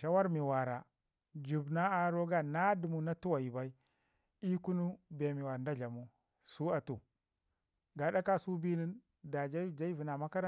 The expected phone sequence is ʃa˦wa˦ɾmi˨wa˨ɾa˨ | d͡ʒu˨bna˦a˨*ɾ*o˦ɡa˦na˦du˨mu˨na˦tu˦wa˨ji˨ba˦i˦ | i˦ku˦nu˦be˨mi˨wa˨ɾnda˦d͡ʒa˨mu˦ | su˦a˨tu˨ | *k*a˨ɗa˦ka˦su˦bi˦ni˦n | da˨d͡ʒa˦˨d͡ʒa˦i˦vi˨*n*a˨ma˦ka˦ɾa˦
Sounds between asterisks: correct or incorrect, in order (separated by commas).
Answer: correct, incorrect, correct